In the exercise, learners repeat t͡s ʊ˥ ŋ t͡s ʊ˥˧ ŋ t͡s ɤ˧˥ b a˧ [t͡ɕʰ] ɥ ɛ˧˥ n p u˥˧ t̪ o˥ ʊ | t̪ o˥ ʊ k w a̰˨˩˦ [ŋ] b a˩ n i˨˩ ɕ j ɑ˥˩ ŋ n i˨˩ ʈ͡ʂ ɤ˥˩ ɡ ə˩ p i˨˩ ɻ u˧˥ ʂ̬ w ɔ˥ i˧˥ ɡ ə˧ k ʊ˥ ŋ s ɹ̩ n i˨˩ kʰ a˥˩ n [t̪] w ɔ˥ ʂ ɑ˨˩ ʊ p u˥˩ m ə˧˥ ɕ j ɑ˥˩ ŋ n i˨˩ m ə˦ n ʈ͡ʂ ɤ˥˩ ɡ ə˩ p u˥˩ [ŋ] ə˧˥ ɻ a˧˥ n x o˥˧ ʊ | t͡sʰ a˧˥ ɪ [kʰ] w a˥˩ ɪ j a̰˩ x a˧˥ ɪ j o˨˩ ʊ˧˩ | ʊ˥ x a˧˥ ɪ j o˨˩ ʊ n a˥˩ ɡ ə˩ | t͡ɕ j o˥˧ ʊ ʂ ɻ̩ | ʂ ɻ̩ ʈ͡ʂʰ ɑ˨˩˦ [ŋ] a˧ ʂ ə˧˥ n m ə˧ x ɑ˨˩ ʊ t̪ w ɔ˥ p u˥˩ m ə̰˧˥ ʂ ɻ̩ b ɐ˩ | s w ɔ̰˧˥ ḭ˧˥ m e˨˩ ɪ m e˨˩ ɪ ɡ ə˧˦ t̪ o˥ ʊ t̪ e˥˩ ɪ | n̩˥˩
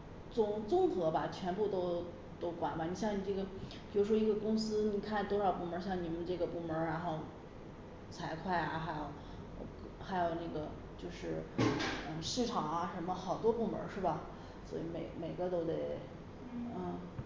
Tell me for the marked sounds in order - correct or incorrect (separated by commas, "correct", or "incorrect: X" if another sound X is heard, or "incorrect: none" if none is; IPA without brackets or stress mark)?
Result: correct, incorrect: n, correct, incorrect: m, correct, correct